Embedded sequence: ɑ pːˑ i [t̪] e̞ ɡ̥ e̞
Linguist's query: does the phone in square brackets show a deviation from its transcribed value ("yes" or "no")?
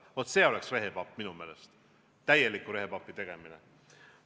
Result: no